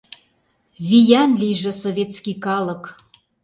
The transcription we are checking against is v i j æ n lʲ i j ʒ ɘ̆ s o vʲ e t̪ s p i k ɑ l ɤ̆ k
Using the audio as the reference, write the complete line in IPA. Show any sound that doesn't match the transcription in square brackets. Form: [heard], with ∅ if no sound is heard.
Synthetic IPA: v i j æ n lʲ i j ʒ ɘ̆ s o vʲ e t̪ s [k] i k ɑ l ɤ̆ k